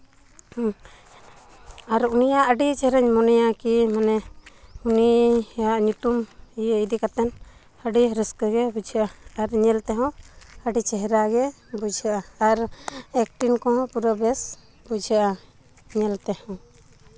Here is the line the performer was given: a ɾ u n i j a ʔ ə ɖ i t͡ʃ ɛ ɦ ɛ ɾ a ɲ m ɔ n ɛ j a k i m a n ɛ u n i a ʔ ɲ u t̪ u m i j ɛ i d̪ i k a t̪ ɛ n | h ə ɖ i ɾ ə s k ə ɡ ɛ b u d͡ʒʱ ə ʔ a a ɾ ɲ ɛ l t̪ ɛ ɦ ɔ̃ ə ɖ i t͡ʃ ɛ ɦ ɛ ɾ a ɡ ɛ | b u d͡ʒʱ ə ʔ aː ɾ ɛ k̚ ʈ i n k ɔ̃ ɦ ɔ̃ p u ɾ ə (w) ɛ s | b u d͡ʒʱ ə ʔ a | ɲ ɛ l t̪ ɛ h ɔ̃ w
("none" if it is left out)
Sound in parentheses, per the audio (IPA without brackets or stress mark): b